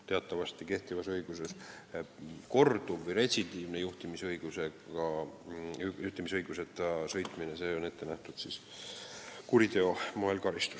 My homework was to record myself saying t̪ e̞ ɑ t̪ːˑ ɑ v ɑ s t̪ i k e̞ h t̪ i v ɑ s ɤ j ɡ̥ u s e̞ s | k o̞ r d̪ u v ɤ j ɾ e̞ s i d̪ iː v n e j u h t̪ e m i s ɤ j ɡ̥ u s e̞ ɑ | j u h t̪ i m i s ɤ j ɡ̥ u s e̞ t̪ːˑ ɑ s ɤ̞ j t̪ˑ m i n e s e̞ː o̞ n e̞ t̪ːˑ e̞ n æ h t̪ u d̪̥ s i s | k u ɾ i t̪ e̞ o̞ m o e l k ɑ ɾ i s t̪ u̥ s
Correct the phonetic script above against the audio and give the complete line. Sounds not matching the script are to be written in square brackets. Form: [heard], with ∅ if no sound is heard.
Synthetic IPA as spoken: t̪ e̞ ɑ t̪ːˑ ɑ v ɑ s t̪ i k e̞ h t̪ i v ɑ s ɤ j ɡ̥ u s e̞ s | k o̞ r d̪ u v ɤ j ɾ e̞ s i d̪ iː v n e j u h t̪ [i] m i s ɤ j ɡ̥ u s e̞ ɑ | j u h t̪ i m i s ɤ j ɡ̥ u s e̞ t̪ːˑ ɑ s ɤ̞ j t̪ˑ m i n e s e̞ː o̞ n e̞ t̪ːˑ e̞ n æ h t̪ u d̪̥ s i s | k u ɾ i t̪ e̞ o̞ m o e l k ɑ ɾ i s t̪ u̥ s

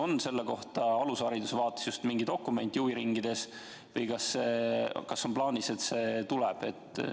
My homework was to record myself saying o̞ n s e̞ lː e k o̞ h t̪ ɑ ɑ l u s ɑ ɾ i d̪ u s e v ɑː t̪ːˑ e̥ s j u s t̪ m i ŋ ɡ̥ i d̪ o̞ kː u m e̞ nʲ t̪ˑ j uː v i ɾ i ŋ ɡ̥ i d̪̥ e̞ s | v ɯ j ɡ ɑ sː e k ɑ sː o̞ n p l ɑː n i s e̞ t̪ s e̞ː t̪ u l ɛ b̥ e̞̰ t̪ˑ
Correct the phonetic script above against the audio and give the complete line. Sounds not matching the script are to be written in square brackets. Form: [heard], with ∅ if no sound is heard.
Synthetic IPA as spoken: o̞ n s e̞ lː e k o̞ h t̪ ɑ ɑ l u s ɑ ɾ i d̪ u s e v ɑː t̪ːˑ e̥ s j u s t̪ m i ŋ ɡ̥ i d̪ o̞ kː u m e̞ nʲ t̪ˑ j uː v i ɾ i ŋ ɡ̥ i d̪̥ e̞ s | v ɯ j [k] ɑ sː e k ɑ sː o̞ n p l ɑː n i s e̞ t̪ s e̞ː t̪ u l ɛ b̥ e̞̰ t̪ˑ

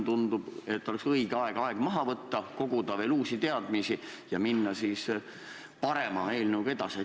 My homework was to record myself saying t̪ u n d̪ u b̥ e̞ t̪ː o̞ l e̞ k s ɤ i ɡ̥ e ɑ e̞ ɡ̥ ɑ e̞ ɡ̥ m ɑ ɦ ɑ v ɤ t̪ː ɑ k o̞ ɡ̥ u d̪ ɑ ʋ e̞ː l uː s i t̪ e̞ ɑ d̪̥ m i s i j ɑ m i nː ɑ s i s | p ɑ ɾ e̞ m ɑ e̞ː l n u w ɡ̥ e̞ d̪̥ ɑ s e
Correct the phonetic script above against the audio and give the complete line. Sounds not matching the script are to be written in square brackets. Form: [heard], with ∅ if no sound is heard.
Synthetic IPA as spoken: t̪ u n d̪ u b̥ e̞ t̪ː o̞ l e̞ k s ɤ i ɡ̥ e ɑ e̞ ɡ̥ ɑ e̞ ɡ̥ m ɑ ɦ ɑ v ɤ t̪ː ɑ k o̞ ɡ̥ u d̪ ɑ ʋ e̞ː l uː s i t̪ e̞ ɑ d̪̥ m i s i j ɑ m i nː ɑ s i s | p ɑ ɾ e̞ m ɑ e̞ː l n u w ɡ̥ e̞ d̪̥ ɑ s e

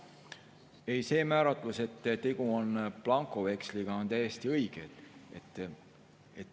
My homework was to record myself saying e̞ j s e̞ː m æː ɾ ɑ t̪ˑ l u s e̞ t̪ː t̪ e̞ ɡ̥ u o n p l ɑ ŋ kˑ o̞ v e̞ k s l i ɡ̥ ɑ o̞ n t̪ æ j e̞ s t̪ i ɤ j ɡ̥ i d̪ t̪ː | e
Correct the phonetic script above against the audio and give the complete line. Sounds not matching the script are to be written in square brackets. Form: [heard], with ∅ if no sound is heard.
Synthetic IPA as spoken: e̞ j s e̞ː m æː ɾ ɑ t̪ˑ l u s e̞ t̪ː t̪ e̞ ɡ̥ u o n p l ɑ ŋ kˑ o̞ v e̞ k s l i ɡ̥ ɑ o̞ n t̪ æ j e̞ s t̪ i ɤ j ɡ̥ [e] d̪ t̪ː | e

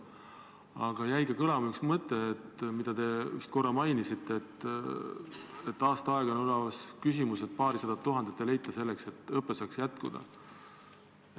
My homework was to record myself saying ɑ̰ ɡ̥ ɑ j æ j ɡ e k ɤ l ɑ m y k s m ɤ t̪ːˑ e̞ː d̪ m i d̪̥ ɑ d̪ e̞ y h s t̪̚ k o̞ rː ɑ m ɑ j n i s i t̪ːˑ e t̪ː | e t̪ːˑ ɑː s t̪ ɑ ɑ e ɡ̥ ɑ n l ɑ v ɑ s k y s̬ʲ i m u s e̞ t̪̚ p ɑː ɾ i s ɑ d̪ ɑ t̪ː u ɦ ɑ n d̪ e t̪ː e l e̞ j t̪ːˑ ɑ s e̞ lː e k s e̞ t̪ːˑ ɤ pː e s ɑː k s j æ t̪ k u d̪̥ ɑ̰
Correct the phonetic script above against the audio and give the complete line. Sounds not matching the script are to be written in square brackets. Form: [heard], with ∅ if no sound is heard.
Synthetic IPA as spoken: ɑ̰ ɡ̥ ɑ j æ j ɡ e k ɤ l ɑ m y k s m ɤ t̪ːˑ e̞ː [t̪] m i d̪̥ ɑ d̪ e̞ y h s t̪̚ k o̞ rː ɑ m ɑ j n i s i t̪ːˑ e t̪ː | e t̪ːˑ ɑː s t̪ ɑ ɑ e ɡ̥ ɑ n l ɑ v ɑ s k y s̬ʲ i m u s e̞ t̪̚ p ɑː ɾ i s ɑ d̪ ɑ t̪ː u ɦ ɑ n d̪ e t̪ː e l e̞ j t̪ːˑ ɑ s e̞ lː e k s e̞ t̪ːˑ ɤ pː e s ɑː k s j æ t̪ k u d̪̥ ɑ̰

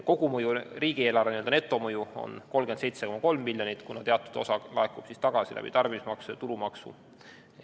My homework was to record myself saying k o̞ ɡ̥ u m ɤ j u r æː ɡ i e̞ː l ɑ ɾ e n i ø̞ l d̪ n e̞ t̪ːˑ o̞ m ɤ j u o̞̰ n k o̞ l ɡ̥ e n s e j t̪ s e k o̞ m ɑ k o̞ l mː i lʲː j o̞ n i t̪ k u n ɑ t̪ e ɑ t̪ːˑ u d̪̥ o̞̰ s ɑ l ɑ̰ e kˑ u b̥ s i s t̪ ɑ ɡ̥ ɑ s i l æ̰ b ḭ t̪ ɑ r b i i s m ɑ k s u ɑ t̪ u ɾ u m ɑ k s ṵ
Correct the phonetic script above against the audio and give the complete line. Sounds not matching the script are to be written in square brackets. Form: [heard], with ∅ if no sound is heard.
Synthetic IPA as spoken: k o̞ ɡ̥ u m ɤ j u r [iː] ɡ i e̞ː l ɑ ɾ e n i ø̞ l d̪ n e̞ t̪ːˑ o̞ m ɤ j u o̞̰ n k o̞ l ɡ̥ e n s e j t̪ s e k o̞ m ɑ k o̞ l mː i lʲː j o̞ n i t̪ k u n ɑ t̪ e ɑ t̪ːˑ u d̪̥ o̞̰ s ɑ l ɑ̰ e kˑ u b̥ s i s t̪ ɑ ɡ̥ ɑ s i l æ̰ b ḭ t̪ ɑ r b i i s m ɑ k s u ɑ t̪ u ɾ u m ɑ k s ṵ

